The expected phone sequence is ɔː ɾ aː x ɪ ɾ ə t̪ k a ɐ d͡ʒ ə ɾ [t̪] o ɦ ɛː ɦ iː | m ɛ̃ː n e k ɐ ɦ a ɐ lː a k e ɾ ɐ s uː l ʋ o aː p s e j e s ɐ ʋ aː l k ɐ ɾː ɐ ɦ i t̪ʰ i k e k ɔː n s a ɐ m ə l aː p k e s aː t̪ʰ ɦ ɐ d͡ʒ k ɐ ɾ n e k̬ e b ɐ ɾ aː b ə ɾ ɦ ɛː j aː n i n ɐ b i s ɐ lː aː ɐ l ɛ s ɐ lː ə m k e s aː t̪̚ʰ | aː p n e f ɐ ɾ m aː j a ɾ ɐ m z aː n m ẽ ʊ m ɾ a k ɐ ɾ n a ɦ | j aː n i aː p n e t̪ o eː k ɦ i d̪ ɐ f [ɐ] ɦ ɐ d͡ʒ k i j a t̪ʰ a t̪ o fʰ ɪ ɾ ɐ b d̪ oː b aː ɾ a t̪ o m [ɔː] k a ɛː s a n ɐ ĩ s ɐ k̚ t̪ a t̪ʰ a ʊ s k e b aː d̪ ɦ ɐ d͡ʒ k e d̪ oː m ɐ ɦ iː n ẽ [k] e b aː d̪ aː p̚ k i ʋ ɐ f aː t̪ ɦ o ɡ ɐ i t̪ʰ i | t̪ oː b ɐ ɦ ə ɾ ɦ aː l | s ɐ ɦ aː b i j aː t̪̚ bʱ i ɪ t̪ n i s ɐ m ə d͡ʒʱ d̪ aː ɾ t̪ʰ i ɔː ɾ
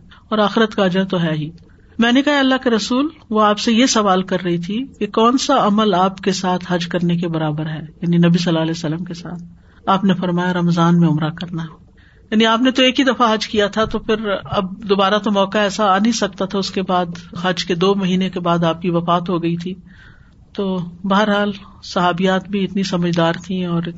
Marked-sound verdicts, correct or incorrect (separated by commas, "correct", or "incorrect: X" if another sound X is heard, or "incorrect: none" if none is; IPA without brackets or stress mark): correct, incorrect: a, correct, correct